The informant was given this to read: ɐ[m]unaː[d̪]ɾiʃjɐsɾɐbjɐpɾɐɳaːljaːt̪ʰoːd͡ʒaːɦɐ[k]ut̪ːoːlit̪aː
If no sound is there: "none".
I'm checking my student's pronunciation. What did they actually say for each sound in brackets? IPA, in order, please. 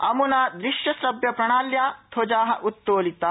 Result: m, d̪, ʔ

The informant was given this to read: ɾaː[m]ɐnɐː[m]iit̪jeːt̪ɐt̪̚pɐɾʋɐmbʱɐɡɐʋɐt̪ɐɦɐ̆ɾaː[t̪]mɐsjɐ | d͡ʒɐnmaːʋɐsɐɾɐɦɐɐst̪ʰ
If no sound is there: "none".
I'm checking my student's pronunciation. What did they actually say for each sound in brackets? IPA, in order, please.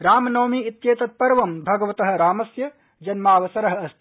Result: m, m, none

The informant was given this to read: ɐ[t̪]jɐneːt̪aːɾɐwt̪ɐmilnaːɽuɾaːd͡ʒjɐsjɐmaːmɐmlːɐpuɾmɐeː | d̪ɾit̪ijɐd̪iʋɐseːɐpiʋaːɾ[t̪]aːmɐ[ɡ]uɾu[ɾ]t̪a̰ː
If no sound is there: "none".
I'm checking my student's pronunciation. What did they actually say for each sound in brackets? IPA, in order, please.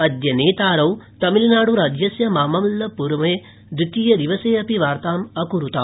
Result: d̪, t̪, k, none

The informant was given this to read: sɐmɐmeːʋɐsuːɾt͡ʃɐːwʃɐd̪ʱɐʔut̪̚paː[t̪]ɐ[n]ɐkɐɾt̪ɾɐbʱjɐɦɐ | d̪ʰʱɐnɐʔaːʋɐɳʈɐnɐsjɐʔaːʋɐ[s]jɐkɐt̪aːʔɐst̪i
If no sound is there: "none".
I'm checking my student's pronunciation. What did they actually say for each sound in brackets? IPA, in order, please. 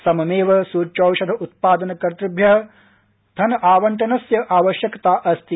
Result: d̪, n, ʃ

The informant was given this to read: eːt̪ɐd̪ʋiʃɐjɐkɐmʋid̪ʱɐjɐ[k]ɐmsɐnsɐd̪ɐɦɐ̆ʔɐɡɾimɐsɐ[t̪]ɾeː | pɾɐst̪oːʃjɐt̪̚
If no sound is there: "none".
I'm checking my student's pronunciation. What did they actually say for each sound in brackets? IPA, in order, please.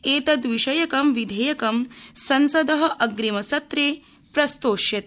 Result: k, t̪

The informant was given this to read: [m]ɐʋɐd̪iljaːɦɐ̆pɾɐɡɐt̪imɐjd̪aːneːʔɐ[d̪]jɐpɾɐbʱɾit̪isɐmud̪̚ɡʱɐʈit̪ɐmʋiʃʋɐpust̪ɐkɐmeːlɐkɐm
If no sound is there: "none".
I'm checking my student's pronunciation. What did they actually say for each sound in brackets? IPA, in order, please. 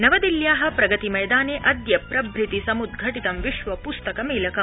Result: n, d̪

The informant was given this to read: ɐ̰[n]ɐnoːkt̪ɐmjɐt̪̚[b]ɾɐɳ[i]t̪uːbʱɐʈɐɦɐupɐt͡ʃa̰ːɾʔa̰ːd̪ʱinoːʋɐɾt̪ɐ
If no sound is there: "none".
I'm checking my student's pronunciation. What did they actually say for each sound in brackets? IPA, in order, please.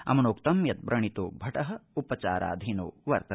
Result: m, b, i

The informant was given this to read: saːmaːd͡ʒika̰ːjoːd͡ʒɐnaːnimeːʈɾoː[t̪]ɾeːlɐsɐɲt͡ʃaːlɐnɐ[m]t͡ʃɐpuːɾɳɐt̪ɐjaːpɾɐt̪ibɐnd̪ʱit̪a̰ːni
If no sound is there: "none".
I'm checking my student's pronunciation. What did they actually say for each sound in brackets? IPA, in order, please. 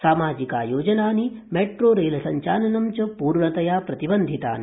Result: none, m

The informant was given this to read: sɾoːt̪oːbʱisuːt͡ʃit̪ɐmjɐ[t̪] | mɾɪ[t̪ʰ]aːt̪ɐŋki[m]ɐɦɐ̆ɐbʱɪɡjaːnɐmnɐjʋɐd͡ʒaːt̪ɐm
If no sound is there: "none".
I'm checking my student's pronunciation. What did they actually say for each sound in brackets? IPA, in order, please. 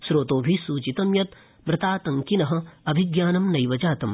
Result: t̪, t̪, n

